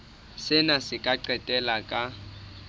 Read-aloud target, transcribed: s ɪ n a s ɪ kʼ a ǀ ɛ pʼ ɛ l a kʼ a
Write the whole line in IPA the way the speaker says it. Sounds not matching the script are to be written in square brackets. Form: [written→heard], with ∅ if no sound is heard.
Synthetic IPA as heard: s ɪ n a s ɪ kʼ a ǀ ɛ [pʼ→tʼ] ɛ l a kʼ a